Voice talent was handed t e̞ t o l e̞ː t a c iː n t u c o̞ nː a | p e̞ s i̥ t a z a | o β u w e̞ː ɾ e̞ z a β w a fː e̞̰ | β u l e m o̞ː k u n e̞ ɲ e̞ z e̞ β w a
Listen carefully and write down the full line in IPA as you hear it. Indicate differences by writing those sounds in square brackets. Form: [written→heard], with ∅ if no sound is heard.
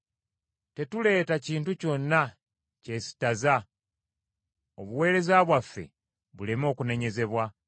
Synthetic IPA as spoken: t e̞ t [o→u] l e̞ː t a c iː n t u c o̞ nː a | [p→c] e̞ s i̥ t a z a | o β u w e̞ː ɾ e̞ z a β w a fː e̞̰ | β u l e m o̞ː k u n e̞ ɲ e̞ z e̞ β w a